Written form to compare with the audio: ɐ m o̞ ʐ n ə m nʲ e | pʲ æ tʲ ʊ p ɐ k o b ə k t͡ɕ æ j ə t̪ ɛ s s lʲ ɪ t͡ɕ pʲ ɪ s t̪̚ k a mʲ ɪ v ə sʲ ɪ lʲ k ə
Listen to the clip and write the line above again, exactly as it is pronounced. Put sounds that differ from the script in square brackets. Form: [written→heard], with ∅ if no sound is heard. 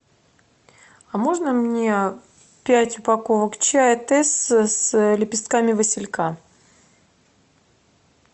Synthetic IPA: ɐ m o̞ ʐ n ə m nʲ e | pʲ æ tʲ ʊ p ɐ k o [b→v] ə k t͡ɕ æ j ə t̪ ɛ s s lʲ ɪ [t͡ɕ→∅] pʲ ɪ s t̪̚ k a mʲ ɪ v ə sʲ ɪ lʲ k [ə→a]